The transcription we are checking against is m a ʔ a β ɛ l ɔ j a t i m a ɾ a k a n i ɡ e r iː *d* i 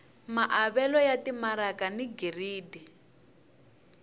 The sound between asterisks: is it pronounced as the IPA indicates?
yes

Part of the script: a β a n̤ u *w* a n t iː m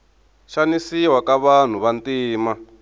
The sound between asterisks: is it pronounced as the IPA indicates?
no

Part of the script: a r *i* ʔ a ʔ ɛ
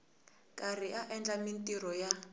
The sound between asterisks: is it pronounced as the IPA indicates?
yes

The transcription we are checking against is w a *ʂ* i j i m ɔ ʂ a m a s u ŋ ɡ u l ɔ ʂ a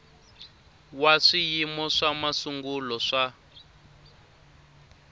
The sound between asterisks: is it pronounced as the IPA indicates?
yes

